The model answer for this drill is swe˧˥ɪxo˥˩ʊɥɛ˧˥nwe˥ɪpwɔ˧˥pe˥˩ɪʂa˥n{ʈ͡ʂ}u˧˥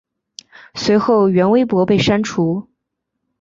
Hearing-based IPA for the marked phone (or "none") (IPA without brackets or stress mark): ʈ͡ʂʰ